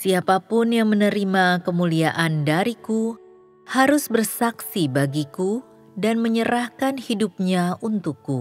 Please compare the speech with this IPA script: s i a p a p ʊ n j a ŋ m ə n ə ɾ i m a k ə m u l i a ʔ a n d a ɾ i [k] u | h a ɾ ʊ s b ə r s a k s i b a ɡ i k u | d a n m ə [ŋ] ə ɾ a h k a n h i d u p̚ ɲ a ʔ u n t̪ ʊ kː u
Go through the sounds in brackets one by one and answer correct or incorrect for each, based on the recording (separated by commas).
correct, incorrect